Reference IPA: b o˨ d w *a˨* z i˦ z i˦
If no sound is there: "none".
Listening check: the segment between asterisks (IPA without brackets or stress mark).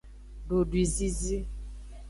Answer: i˨